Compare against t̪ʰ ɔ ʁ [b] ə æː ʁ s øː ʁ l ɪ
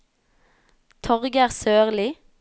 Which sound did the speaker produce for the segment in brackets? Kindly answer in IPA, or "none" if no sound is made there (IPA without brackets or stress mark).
ɡ